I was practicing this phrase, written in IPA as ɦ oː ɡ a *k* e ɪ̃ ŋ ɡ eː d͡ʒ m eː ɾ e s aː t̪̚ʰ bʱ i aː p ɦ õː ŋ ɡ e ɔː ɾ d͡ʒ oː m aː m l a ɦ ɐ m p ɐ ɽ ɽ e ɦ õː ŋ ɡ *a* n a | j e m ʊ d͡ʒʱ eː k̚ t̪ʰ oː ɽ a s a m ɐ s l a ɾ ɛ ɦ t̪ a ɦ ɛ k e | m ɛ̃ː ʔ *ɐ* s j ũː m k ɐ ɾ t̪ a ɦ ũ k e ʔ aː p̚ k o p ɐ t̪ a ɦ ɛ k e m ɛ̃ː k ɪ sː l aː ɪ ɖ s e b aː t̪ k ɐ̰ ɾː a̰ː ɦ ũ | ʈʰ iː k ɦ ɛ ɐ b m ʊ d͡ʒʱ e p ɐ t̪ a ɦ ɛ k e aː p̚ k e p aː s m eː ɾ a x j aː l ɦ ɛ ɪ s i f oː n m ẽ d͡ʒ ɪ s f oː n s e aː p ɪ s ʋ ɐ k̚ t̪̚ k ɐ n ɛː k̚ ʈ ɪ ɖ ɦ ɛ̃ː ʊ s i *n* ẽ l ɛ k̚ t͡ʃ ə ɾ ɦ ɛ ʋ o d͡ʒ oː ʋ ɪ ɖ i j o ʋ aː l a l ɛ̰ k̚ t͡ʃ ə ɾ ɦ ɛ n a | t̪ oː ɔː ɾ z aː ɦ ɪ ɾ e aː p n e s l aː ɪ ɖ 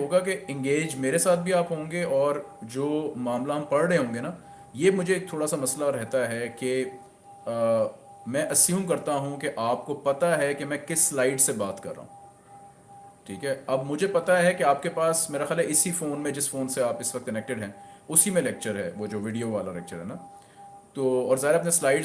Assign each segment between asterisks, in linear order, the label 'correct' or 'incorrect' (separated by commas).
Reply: correct, incorrect, correct, incorrect